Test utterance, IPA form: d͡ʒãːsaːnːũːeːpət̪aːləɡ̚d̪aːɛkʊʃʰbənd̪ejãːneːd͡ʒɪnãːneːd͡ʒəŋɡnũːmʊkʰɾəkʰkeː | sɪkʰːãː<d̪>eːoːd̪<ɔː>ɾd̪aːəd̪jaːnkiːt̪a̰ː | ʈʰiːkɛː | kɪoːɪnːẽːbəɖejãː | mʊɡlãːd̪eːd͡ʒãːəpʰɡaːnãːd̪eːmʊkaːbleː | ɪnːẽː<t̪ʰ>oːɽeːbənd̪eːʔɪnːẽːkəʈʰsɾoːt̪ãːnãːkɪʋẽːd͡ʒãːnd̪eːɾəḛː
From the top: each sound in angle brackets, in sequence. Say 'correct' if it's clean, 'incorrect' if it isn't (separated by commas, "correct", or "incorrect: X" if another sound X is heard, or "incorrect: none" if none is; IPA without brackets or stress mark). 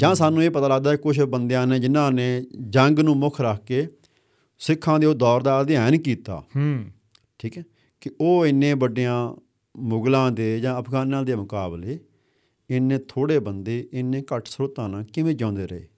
correct, correct, correct